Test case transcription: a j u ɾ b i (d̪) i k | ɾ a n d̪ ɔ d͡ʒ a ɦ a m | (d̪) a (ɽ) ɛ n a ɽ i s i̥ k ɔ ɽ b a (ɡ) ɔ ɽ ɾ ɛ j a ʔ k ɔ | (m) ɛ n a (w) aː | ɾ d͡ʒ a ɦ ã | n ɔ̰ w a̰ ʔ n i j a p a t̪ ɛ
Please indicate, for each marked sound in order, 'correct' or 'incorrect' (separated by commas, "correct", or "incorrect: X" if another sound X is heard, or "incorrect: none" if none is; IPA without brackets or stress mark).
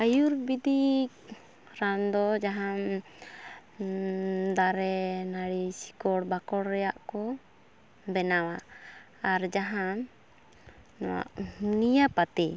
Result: correct, correct, incorrect: ɾ, incorrect: k, incorrect: b, correct